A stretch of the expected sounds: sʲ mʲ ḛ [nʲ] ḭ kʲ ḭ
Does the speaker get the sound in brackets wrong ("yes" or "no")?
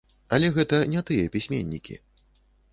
yes